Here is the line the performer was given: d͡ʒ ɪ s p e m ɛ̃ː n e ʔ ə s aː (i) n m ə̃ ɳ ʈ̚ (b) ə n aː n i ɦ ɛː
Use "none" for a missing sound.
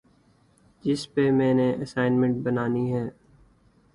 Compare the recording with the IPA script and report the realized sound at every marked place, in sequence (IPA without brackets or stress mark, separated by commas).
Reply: ɪ, b